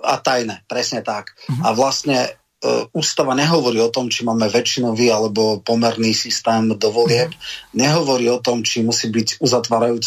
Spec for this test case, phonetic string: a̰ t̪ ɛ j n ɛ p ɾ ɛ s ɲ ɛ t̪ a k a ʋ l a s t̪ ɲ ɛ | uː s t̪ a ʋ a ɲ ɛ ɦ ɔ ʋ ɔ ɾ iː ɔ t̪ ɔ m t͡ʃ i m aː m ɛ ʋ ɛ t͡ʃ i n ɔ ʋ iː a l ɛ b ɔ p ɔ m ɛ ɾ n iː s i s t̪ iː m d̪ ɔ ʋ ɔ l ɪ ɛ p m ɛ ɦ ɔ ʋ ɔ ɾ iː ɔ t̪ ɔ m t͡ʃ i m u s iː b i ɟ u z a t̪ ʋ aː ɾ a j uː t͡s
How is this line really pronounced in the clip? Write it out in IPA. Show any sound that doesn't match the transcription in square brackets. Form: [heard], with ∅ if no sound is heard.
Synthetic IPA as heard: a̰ t̪ [a] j n ɛ p ɾ ɛ s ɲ ɛ t̪ a k a ʋ l a s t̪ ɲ ɛ | uː s t̪ a ʋ a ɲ ɛ ɦ ɔ ʋ ɔ ɾ iː ɔ t̪ ɔ m t͡ʃ i m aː m ɛ ʋ ɛ t͡ʃ i n ɔ ʋ iː a l ɛ b ɔ p ɔ m ɛ ɾ n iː s i s t̪ [ɛː] m d̪ ɔ ʋ ɔ l ɪ ɛ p [ɲ] ɛ ɦ ɔ ʋ ɔ ɾ iː ɔ t̪ ɔ m t͡ʃ i m u s iː b i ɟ u z a t̪ ʋ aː ɾ a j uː t͡s